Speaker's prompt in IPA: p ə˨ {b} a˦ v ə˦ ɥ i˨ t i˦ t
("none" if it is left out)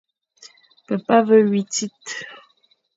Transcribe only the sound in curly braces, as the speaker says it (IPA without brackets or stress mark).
p